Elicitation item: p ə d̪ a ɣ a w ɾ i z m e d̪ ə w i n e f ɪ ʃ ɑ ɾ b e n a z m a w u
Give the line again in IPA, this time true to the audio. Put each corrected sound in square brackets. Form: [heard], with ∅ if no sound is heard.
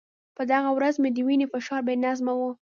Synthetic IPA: p ə d̪ a ɣ a w ɾ [a] z m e d̪ ə w i n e f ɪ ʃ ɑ ɾ b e n a z m a w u